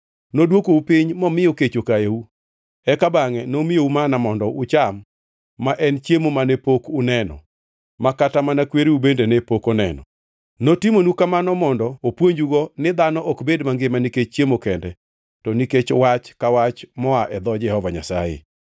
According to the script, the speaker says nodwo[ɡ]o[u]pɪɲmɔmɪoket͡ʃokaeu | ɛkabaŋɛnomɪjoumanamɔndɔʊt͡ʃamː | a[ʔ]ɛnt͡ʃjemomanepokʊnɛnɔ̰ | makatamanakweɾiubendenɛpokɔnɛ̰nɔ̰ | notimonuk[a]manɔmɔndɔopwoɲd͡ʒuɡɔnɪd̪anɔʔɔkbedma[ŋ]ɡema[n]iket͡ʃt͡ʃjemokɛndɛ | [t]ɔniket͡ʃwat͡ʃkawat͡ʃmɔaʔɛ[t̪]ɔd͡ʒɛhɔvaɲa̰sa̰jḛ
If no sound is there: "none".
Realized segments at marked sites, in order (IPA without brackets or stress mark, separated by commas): k, u, ʔ, a, ŋ, n, t, d̪